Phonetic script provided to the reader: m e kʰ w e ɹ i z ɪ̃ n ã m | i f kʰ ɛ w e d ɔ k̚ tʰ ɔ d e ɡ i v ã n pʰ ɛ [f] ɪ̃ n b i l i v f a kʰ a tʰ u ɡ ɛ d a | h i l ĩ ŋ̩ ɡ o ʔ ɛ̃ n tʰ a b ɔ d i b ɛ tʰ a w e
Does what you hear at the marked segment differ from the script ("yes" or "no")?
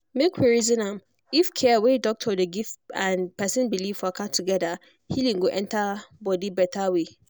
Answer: yes